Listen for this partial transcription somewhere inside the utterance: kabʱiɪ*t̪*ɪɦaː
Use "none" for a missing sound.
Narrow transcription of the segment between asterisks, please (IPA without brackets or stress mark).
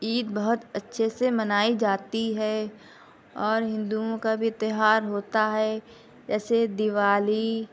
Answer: t̪